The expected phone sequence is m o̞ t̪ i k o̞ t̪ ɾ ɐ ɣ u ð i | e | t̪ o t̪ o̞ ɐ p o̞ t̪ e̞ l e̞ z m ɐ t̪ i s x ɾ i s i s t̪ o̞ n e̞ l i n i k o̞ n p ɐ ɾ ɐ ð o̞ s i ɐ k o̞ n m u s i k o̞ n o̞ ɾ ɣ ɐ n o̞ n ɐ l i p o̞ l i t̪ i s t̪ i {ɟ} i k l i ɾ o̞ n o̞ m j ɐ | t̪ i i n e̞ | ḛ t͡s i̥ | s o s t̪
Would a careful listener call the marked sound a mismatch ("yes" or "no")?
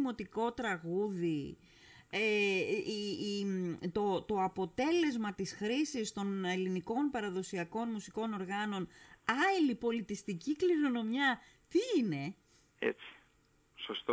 yes